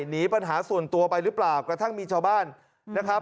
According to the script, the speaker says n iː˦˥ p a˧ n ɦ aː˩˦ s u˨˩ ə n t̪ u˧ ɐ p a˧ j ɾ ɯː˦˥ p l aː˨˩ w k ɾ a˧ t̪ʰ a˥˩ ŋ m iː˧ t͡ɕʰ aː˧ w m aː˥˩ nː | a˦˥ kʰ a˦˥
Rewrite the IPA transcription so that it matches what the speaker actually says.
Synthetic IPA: n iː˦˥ p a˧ n ɦ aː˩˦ s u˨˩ ə n t̪ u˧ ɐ p a˧ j ɾ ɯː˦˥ p l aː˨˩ w k ɾ a˧ t̪ʰ a˥˩ ŋ m iː˧ t͡ɕʰ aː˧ w b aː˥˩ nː | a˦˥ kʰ a˦˥